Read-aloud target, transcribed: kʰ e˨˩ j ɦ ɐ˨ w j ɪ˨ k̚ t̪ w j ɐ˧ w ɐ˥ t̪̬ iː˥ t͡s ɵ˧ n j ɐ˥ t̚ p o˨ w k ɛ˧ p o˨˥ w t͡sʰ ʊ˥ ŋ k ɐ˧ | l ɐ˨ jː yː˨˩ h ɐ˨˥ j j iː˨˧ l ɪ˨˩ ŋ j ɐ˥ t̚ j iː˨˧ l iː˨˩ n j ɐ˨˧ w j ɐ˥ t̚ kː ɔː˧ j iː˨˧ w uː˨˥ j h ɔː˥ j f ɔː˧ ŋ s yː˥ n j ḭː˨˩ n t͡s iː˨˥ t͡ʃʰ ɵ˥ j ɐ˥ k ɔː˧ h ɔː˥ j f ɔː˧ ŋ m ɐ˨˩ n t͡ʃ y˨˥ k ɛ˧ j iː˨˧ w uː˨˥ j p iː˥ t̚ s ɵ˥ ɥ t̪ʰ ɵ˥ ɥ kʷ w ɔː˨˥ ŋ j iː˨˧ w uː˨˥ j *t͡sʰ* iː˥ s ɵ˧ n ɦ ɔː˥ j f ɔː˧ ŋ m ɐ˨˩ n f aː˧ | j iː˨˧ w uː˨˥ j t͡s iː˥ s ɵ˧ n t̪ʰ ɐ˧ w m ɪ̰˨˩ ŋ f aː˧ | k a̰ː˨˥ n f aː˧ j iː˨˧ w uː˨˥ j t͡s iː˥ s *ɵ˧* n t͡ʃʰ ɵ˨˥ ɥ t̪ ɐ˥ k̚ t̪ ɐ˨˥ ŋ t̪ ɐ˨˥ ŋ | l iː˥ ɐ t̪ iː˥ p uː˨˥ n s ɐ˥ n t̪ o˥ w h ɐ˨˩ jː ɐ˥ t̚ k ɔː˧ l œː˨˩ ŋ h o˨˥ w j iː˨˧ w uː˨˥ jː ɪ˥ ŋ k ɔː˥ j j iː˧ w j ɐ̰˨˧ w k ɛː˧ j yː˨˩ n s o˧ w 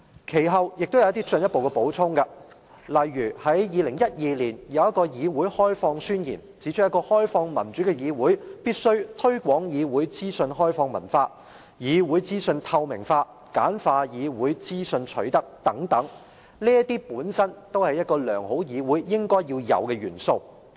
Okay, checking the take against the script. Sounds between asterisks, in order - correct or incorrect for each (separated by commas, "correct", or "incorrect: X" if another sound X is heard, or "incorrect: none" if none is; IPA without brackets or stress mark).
incorrect: t͡s, correct